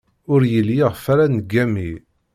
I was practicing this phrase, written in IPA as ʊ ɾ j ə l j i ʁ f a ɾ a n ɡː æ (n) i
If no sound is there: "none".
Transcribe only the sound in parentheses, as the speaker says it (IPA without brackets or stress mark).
m